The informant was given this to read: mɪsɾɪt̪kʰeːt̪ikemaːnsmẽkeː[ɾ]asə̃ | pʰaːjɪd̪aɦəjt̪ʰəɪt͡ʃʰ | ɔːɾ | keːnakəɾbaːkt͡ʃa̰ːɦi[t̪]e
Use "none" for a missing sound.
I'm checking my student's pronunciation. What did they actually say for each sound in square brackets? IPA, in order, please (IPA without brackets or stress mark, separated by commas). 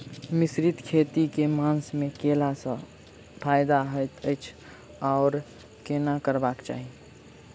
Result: l, none